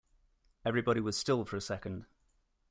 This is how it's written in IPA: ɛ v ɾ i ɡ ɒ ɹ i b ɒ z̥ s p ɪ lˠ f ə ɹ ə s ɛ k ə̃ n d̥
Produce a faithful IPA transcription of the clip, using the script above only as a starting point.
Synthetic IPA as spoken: ɛ v ɹ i b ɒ ɾ i w ɒ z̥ s t ɪ lˠ f ə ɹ ə s ɛ k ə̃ n d̥